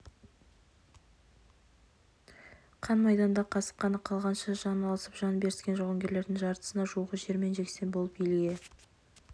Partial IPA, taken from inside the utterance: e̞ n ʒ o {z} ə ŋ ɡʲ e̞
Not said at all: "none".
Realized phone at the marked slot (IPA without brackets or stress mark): ʁ